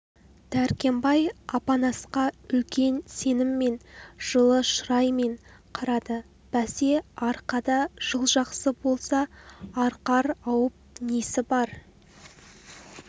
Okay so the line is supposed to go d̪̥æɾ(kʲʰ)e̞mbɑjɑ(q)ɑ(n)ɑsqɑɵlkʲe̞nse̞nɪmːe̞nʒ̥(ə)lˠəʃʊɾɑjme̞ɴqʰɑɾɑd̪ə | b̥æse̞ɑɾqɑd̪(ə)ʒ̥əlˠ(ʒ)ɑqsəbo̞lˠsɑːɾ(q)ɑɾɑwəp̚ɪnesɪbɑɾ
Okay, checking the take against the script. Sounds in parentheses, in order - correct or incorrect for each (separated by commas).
incorrect, incorrect, correct, correct, incorrect, correct, correct